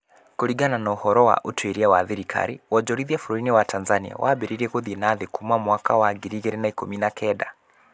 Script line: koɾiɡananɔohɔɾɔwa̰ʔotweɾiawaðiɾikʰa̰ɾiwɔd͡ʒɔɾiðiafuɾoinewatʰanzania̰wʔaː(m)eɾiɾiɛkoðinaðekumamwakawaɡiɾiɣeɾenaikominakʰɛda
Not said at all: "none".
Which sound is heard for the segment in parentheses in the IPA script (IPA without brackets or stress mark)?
b